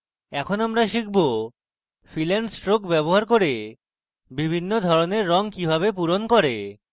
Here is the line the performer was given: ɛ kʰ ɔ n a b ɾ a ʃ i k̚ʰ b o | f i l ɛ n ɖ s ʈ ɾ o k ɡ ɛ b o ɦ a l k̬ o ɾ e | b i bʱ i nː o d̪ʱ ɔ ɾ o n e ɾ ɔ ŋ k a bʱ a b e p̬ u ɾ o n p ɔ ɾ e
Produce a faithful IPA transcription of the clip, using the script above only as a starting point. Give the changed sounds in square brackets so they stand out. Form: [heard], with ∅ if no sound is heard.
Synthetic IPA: ɛ kʰ [o] n a [m] ɾ a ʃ i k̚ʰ b o | f i l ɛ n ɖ s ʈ ɾ o k [b] ɛ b o ɦ a [ɾ] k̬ o ɾ e | b i bʱ i nː o d̪ʱ ɔ ɾ o n e [ɾː] ɔ ŋ k [i] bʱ a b e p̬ u ɾ o n [k] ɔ ɾ e